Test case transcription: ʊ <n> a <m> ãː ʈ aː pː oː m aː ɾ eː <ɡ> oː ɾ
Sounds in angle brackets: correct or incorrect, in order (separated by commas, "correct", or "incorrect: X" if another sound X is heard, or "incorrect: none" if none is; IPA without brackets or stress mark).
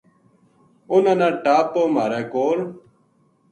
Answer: correct, incorrect: n, incorrect: k